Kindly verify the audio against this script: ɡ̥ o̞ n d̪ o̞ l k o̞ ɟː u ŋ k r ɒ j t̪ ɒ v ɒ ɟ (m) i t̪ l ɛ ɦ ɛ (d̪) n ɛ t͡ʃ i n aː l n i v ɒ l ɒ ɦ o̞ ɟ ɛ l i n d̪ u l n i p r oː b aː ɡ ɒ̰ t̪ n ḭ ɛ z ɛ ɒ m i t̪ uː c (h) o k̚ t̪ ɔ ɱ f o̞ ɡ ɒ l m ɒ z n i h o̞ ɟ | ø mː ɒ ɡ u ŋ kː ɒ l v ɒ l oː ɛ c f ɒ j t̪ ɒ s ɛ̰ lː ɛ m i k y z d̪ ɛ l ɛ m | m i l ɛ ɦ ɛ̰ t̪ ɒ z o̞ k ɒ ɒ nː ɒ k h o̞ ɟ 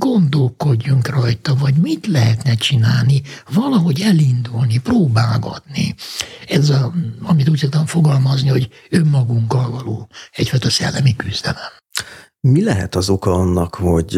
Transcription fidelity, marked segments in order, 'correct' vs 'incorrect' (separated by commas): correct, incorrect, incorrect